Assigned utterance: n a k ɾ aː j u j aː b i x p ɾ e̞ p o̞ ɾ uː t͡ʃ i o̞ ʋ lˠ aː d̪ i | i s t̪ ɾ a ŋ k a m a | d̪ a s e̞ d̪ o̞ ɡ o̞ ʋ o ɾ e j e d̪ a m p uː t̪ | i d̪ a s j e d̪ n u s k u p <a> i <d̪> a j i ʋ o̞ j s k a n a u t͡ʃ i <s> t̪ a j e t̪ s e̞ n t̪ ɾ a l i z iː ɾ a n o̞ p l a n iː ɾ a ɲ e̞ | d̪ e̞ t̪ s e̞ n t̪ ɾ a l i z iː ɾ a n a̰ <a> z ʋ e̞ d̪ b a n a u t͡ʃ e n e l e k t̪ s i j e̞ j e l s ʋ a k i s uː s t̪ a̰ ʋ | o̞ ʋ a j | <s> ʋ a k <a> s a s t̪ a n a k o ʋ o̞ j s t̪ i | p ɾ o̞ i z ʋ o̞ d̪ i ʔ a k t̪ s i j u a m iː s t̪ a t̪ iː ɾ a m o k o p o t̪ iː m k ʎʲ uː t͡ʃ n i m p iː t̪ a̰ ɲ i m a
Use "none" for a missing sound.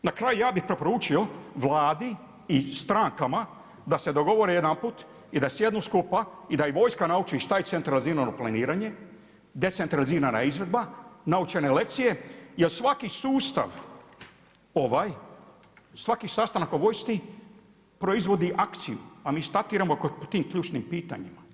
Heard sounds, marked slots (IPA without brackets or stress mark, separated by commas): a, d̪, ʃ, i, s, i